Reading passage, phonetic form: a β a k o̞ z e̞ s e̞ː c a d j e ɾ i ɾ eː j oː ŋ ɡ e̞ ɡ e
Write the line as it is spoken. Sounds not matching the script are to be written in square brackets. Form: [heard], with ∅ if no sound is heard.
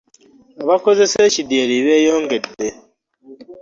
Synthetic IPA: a β a k o̞ z e̞ s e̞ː c [i] d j e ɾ i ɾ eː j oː ŋ ɡ e̞ [d] e